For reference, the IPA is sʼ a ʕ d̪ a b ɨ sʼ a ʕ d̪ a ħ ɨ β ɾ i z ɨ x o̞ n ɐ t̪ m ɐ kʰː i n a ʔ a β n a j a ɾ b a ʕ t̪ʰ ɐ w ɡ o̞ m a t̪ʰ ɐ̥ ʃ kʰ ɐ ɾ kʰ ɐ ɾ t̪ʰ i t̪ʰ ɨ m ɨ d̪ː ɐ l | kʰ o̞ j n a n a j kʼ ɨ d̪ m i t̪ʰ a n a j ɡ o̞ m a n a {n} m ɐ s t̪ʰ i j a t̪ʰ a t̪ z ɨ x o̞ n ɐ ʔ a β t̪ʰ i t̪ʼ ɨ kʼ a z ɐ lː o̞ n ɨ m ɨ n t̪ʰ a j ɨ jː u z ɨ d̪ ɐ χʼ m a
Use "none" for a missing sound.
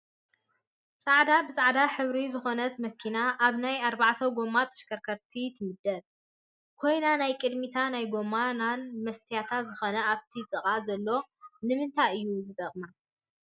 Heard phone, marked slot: n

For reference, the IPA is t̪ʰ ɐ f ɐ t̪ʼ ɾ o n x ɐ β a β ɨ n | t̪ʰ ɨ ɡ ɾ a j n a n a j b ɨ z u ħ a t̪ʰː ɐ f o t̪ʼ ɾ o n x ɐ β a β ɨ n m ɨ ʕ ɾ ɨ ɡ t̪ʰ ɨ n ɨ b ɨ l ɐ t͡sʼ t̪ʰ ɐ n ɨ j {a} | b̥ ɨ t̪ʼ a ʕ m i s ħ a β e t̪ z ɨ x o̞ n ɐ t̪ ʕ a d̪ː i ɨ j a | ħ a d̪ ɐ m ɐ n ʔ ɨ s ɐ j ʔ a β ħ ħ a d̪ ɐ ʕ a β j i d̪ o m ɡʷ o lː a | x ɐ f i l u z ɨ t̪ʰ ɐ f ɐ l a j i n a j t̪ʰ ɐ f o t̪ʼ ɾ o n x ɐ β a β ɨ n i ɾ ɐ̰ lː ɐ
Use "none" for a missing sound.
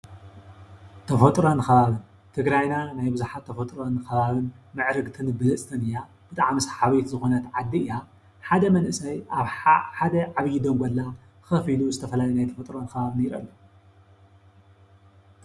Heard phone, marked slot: a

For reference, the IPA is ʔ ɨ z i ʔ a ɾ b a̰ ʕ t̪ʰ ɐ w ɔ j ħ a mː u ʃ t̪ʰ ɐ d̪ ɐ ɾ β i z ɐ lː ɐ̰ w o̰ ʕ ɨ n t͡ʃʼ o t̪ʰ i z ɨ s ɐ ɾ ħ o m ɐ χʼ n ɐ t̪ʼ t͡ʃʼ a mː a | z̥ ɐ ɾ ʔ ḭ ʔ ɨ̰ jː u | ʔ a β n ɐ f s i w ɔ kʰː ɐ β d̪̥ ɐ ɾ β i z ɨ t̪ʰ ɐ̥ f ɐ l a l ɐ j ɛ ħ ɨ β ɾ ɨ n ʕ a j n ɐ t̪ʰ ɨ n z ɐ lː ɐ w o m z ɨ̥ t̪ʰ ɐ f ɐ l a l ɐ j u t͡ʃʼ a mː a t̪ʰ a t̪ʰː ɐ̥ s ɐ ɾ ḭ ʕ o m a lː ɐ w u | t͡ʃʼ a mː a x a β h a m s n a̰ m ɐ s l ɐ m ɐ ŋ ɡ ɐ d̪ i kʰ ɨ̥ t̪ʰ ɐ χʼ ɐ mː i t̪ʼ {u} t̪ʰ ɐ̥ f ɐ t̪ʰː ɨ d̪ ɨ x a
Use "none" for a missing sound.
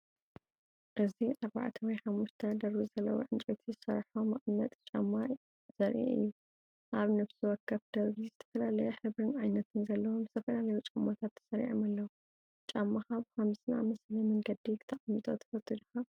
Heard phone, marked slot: o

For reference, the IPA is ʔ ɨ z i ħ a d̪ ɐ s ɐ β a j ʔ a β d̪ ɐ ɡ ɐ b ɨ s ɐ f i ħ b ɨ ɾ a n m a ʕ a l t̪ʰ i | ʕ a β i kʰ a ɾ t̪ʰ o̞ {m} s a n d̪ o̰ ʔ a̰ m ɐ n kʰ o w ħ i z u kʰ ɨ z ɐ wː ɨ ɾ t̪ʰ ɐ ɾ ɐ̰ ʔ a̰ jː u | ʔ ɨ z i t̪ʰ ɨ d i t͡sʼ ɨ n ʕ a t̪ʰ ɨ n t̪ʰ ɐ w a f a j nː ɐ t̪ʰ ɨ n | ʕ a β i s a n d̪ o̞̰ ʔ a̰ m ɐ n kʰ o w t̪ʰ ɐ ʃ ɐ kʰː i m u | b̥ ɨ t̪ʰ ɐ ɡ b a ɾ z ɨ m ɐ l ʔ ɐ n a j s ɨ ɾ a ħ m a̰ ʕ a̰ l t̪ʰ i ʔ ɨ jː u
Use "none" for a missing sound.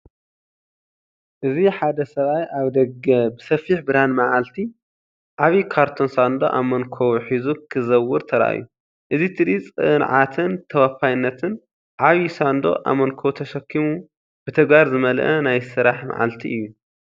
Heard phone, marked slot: n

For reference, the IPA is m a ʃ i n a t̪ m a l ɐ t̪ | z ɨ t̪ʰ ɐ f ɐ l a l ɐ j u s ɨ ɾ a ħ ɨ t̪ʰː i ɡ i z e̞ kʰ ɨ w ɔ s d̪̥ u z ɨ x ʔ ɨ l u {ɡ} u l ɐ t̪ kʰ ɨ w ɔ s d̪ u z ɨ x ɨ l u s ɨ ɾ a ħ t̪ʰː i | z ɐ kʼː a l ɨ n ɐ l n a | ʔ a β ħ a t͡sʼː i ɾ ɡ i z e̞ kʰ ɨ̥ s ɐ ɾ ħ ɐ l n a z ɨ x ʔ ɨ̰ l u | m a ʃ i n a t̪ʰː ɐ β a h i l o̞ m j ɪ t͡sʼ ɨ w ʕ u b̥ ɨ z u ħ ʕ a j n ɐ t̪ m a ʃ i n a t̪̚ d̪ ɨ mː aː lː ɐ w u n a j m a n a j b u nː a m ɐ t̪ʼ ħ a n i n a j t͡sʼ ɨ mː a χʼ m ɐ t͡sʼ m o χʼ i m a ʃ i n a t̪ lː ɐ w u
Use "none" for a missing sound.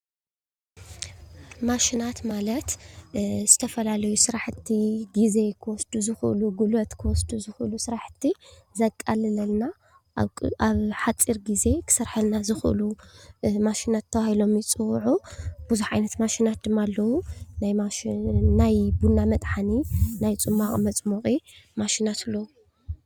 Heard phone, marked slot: ɡ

